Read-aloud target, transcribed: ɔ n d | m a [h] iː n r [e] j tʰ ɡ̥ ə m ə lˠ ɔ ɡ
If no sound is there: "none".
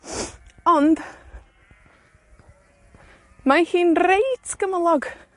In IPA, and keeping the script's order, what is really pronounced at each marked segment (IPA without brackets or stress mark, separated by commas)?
h, e